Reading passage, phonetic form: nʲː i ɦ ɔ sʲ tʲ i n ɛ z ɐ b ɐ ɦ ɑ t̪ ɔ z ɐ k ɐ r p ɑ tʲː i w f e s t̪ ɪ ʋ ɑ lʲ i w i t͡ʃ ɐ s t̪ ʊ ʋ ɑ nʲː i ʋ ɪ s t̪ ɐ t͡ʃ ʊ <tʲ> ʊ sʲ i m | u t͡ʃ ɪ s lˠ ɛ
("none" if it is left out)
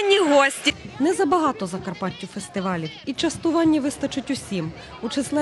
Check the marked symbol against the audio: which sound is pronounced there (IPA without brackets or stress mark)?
tʲ